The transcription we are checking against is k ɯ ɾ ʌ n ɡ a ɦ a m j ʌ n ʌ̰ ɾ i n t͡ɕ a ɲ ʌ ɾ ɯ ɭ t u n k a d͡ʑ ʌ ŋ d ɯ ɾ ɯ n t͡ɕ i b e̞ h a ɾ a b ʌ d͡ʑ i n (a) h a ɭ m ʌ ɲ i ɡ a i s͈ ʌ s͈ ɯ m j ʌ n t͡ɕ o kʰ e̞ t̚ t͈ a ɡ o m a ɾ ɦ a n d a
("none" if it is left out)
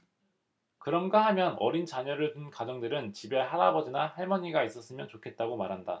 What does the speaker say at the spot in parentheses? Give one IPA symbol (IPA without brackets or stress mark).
a